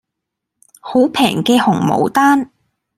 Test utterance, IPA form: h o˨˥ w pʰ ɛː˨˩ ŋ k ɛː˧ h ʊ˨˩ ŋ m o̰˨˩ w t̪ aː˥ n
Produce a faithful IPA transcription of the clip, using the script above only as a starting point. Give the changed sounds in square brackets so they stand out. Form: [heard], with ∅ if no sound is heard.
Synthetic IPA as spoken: h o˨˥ w pʰ ɛː˨˩ ŋ k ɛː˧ h ʊ˨˩ ŋ m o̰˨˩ w t̪ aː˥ n